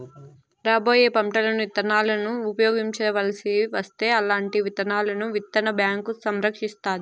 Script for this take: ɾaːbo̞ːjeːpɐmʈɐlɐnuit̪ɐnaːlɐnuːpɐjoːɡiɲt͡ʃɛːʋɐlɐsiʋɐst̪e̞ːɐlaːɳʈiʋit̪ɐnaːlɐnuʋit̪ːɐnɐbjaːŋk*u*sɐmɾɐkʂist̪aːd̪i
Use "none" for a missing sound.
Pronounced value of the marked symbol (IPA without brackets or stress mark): u